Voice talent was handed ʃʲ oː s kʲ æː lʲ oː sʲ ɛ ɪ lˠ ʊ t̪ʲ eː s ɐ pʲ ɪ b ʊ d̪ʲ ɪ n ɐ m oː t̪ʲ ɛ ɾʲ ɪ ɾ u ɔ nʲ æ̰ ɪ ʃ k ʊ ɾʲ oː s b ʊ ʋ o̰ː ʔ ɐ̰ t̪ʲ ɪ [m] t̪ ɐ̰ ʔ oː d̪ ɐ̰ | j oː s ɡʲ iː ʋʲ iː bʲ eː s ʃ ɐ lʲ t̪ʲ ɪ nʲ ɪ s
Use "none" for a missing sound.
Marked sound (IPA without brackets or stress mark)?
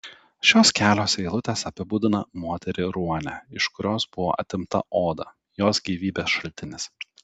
m